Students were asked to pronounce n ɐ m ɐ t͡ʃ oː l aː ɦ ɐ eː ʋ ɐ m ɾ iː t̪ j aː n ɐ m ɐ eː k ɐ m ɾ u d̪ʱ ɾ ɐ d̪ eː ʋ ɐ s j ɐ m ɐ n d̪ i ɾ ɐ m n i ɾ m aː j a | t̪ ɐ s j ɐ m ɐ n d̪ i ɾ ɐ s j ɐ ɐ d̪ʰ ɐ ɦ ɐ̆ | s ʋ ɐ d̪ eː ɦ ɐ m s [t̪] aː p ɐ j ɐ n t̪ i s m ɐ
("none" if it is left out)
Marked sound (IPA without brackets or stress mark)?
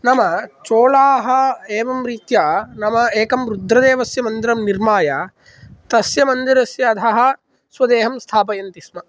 t̪ʰ